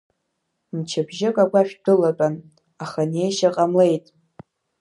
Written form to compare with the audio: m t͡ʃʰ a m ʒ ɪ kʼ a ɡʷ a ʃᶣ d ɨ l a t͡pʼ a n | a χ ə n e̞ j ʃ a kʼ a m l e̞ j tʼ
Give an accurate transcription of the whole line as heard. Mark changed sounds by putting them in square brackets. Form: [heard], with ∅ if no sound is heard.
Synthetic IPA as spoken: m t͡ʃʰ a [b] ʒ ɪ kʼ a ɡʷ a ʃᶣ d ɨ l a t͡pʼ a n | a χ [a] n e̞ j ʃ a [qʼ] a m l e̞ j tʼ